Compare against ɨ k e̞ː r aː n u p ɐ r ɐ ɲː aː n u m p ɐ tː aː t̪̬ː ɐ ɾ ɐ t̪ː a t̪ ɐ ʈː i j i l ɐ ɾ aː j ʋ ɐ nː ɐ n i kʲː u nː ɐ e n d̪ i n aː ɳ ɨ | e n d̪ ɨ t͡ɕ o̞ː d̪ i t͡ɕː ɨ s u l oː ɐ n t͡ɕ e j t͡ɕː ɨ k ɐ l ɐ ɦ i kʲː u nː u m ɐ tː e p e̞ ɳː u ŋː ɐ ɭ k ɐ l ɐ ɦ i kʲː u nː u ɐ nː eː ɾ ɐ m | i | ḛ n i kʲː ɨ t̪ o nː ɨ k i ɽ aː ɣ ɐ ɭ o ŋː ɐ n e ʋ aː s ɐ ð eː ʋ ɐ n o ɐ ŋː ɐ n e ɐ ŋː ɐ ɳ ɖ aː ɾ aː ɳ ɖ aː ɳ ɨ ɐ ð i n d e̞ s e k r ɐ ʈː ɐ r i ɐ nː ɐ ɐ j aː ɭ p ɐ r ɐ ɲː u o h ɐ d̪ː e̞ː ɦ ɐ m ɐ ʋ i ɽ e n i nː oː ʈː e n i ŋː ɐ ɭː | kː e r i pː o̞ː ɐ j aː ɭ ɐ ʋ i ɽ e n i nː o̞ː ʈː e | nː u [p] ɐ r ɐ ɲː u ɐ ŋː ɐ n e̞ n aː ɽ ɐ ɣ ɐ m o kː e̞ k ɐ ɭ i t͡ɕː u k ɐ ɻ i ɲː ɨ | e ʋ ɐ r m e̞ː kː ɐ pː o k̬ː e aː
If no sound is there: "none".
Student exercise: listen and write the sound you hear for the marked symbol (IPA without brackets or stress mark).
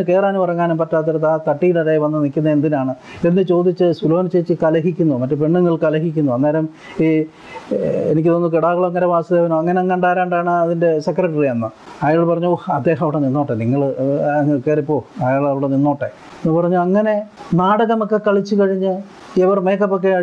p